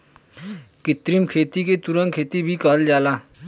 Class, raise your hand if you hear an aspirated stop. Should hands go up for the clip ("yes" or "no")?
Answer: yes